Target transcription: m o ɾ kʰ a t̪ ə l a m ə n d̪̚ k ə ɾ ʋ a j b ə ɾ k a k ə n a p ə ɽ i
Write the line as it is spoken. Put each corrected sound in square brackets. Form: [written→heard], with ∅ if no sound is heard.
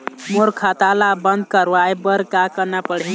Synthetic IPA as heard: m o ɾ kʰ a t̪ [ə→a] l a [m→b] ə n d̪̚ k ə ɾ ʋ a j b ə ɾ k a k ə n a p ə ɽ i

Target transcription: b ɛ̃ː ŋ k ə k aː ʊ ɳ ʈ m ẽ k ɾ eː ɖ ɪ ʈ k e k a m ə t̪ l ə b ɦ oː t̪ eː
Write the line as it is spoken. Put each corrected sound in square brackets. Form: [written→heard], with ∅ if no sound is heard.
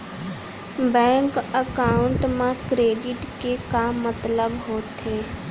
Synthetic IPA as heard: b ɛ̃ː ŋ k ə k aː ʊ ɳ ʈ m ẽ k ɾ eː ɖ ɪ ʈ k e k a m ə t̪ l ə b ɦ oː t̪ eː

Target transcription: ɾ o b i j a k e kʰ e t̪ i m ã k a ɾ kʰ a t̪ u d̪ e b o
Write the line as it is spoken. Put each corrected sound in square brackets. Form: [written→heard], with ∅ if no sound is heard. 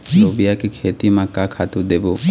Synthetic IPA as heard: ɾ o b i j a k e kʰ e t̪ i m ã k a [ɾ→∅] kʰ a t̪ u d̪ e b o

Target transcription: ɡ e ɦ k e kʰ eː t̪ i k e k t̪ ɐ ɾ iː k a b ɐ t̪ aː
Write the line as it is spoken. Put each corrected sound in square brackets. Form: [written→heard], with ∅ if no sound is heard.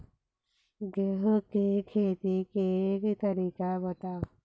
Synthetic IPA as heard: ɡ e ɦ k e kʰ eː t̪ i k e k t̪ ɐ ɾ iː k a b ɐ t̪ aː

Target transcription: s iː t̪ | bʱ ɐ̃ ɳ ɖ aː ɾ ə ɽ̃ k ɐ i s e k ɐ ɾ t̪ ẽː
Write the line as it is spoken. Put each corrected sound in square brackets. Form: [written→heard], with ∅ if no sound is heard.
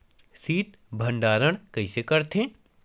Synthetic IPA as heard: s iː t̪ | bʱ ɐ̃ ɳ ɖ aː ɾ ə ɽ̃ k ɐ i s e k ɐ ɾ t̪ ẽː

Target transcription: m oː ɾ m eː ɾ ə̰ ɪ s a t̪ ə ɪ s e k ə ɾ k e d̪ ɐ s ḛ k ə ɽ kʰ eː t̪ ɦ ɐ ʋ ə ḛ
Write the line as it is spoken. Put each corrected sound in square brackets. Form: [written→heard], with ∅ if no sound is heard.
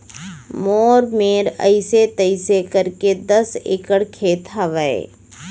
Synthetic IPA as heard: m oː ɾ m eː ɾ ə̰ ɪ s [a→e] t̪ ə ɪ s e k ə ɾ k e d̪ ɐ s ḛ k ə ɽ kʰ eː t̪ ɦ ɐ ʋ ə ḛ

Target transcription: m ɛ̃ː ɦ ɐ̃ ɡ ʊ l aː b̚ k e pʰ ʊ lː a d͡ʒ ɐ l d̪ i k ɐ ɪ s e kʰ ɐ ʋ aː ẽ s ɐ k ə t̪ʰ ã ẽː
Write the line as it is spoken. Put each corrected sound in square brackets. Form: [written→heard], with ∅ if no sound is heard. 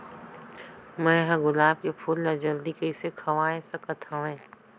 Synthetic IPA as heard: m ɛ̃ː ɦ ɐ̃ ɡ ʊ l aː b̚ k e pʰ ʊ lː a d͡ʒ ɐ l d̪ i k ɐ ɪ s e kʰ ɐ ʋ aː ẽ s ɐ k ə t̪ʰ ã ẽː

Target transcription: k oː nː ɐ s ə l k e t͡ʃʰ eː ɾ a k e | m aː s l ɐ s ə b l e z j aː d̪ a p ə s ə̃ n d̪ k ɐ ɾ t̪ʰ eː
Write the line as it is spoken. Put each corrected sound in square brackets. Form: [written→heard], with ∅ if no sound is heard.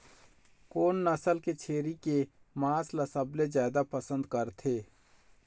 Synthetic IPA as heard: k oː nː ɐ s ə l k e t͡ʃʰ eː ɾ [a→i] k e | m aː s l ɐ s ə b l e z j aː d̪ a p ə s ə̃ n d̪ k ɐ ɾ t̪ʰ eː

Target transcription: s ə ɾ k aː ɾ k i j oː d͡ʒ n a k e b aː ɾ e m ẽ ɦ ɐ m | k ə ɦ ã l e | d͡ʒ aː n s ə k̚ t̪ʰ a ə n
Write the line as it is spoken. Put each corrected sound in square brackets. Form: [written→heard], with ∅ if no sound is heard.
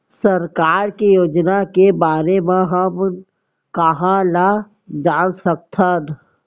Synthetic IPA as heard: s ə ɾ k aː ɾ k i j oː d͡ʒ n a k e b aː ɾ e m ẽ ɦ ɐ m | k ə ɦ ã l [e→a] | d͡ʒ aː n s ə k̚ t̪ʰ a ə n

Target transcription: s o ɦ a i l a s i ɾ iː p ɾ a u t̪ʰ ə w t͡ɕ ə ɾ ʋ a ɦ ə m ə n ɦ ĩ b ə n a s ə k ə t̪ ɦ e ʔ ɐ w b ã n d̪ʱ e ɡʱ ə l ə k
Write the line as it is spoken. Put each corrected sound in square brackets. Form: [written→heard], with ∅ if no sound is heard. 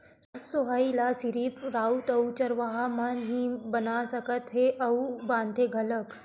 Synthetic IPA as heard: s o ɦ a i l a s i ɾ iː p ɾ a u [t̪ʰ→t̪] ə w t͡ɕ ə ɾ ʋ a ɦ [ə→a] m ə n ɦ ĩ b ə n a s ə k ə t̪ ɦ e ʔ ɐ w b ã n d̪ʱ e ɡʱ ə l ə k

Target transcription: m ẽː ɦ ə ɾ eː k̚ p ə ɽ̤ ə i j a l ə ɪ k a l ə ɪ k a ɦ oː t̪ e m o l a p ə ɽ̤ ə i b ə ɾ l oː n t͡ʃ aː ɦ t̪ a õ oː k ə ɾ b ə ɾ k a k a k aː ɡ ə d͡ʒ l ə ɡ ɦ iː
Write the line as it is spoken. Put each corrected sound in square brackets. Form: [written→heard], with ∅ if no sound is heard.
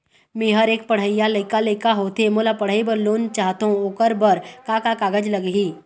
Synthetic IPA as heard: m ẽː ɦ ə ɾ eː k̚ p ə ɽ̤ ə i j a l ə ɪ k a l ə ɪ k a ɦ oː t̪ e m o l a p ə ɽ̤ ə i b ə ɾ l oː n t͡ʃ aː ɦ t̪ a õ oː k ə ɾ b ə ɾ k a k a k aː ɡ ə d͡ʒ l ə ɡ ɦ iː

